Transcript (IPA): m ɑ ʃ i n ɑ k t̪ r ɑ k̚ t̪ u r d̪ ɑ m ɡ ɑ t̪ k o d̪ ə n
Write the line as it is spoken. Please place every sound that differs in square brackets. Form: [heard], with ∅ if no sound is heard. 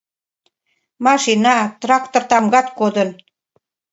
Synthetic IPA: m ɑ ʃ i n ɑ [∅] t̪ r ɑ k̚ t̪ [o] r [t̪] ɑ m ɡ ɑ t̪ k o d̪ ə n